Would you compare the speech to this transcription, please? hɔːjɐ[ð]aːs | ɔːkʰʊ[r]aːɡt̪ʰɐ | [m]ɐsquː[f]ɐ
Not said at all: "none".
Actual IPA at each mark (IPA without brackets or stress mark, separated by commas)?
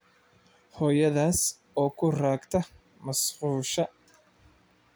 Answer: ð, r, m, ʃ